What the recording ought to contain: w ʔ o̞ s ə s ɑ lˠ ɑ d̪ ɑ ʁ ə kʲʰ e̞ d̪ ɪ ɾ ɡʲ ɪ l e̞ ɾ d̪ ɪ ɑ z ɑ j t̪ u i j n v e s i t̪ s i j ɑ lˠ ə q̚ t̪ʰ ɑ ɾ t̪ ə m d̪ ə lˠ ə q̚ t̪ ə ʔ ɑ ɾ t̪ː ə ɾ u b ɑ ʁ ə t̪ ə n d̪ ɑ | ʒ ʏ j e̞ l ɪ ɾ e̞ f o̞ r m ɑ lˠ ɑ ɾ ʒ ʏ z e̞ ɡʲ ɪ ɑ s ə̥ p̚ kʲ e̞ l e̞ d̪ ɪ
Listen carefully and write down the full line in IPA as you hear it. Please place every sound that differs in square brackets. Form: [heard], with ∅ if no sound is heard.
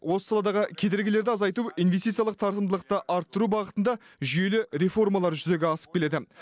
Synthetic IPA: w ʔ o̞ s ə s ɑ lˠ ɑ d̪ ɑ ʁ ə kʲʰ e̞ d̪ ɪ ɾ ɡʲ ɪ l e̞ ɾ d̪ ɪ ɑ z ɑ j t̪ u i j n v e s i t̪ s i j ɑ lˠ ə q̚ t̪ʰ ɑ ɾ t̪ ə m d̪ ə lˠ ə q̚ t̪ ə ʔ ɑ ɾ t̪ː ə ɾ u b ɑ ʁ ə t̪ ə n d̪ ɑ | ʒ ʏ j e̞ l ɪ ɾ e̞ f o̞ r m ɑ lˠ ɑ ɾ ʒ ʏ z e̞ ɡʲ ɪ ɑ s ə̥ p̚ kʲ e̞ l e̞ d̪ ɪ